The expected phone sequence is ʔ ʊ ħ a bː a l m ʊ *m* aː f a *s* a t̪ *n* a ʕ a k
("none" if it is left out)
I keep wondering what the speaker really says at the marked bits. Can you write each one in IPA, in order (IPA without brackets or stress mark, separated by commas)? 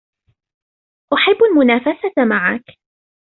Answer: n, s, m